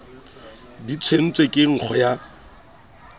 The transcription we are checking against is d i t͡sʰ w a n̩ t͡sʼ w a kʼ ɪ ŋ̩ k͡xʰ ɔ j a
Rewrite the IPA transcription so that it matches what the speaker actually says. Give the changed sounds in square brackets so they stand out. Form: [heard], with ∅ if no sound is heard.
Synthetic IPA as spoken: d i t͡sʰ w [e] n̩ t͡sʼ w [e] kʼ ɪ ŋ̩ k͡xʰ ɔ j a